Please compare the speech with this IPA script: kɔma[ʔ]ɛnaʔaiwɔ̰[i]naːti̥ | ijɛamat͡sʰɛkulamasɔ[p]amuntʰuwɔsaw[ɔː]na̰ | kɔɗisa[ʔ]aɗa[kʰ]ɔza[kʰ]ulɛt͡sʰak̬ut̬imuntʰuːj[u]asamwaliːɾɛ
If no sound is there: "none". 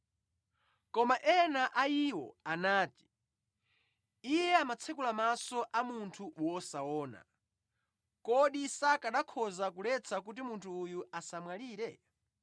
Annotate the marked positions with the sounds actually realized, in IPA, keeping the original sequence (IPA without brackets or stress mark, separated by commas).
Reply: ʔ, a, ʔ, ɔː, k, kʰ, k, u